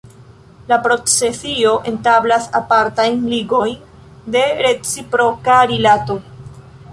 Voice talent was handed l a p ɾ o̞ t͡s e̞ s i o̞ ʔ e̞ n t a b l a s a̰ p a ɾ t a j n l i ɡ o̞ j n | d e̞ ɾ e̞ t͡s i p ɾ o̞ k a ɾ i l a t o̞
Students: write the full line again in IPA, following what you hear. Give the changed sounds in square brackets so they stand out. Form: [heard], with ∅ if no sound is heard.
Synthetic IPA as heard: l a p ɾ o̞ t͡s e̞ s i o̞ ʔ e̞ n t a b l a s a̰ p a ɾ t a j n l i ɡ o̞ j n | d e̞ ɾ e̞ t͡s i p ɾ o̞ k a ɾ i l a t o̞